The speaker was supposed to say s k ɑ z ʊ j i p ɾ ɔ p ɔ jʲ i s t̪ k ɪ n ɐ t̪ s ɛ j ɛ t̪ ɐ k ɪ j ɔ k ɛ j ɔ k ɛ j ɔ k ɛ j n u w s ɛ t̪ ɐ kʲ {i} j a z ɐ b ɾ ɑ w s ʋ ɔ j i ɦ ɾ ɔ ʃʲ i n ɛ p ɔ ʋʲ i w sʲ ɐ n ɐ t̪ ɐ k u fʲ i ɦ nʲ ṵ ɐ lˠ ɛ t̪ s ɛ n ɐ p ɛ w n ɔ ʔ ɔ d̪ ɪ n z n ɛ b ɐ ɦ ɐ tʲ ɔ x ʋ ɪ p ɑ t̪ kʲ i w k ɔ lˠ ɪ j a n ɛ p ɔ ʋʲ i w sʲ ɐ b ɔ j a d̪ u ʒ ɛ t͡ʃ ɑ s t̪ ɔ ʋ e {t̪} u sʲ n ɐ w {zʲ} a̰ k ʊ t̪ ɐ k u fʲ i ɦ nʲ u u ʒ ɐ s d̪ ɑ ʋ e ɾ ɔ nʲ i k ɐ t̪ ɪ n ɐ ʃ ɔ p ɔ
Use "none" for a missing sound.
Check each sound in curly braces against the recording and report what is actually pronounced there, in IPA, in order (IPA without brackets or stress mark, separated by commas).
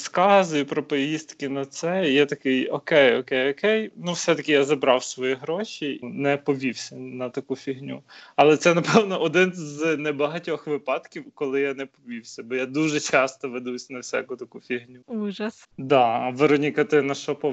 ɪ, d̪, sʲ